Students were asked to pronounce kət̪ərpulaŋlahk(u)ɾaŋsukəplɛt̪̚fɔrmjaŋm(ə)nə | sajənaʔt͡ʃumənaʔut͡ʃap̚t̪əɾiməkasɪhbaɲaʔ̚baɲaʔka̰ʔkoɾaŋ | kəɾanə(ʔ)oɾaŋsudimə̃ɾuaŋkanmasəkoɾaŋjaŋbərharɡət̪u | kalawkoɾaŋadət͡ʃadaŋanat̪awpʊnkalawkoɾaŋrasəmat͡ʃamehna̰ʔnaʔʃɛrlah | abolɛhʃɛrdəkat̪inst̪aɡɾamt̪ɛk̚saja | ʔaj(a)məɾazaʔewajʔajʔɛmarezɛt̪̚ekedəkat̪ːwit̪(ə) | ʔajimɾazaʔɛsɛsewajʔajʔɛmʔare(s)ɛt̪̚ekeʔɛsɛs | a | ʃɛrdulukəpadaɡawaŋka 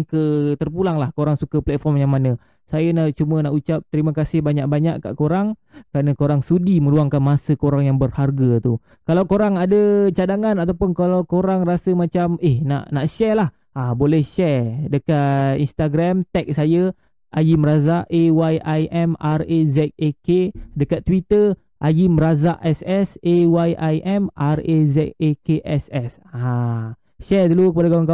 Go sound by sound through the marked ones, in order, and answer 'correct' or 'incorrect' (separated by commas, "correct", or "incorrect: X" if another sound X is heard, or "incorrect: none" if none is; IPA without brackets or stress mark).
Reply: incorrect: o, incorrect: a, incorrect: k, incorrect: i, correct, incorrect: z